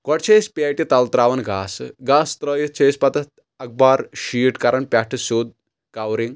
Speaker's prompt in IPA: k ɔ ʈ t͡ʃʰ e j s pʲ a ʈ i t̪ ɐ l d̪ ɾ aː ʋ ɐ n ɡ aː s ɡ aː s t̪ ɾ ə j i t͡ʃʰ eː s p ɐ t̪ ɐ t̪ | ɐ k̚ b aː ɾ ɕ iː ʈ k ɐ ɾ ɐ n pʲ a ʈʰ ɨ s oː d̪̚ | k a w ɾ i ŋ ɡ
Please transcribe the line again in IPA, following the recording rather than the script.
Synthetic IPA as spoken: k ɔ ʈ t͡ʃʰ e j s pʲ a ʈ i t̪ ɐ l t̪ ɾ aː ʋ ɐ n ɡ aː s ɡ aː s t̪ ɾ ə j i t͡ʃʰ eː s p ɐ t̪ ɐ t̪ | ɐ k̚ b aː ɾ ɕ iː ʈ k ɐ ɾ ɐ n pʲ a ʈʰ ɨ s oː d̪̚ | k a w ɾ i ŋ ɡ